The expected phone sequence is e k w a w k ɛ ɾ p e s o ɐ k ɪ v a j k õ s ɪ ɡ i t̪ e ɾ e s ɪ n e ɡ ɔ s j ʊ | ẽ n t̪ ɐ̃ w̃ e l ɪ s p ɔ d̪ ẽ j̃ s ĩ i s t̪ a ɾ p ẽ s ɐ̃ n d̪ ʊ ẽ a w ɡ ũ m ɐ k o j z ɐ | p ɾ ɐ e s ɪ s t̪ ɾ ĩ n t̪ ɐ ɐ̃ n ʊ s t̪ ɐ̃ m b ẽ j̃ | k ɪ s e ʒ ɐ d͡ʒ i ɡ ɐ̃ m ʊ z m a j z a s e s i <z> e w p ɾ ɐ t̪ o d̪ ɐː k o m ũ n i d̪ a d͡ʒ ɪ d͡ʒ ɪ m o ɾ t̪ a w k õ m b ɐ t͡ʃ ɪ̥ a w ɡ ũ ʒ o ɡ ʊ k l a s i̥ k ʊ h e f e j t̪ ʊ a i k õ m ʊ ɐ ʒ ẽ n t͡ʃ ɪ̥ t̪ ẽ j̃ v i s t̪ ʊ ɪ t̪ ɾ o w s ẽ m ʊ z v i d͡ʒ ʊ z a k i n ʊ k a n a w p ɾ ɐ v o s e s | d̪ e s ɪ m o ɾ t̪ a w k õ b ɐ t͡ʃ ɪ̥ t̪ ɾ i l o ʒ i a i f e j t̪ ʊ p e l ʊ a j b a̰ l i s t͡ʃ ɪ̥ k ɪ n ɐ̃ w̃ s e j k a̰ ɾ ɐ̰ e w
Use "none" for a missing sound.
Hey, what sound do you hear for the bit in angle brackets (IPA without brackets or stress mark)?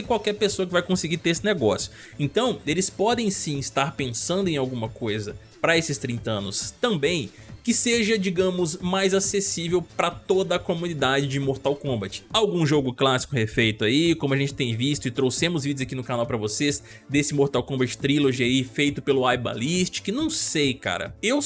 v